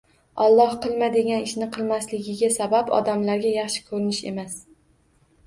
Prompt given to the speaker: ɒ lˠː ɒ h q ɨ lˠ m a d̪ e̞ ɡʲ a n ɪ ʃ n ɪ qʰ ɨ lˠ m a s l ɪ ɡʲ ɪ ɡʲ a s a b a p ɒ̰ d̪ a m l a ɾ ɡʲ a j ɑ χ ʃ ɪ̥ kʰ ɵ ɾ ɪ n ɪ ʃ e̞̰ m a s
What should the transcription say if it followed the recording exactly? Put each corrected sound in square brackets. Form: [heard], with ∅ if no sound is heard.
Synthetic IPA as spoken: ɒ lˠː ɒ h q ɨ lˠ m a d̪ e̞ ɡʲ a n ɪ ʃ n ɪ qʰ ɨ lˠ m a s l ɪ ɡʲ ɪ ɡʲ a s a b a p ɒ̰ d̪ a m l a ɾ ɡʲ a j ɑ χ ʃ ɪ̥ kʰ ɵ ɾ ɪ n ɪ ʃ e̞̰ m a s